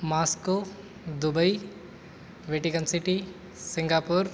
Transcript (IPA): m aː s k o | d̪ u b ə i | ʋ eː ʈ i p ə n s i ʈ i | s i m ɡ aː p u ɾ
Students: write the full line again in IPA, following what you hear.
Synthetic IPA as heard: m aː s k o | d̪ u b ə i | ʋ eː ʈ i k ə n s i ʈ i | s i ŋ ɡ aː p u ɾ